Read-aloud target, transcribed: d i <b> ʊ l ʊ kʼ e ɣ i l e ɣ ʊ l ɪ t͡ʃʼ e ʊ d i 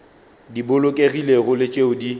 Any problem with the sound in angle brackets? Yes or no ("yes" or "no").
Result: no